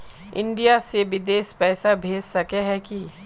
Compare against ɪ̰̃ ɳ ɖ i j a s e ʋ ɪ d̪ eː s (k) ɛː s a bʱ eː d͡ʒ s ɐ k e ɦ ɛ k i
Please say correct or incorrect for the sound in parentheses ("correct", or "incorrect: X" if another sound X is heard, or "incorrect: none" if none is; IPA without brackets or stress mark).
incorrect: p